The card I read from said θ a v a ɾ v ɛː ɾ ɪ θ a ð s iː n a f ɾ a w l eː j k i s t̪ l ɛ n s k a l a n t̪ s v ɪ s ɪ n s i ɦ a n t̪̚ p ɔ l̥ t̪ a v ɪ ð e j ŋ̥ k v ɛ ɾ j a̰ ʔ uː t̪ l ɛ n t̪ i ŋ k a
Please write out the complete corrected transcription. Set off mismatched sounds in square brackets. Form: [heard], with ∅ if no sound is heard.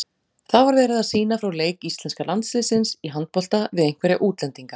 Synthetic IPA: θ a v a ɾ v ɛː ɾ ɪ [ð] a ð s iː n a f ɾ a w l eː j k i s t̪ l ɛ n s k a l a n t̪ s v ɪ s ɪ n s i ɦ a n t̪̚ p ɔ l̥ t̪ a v ɪ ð e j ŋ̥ k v ɛ ɾ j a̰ ʔ uː t̪ l ɛ n t̪ i ŋ k a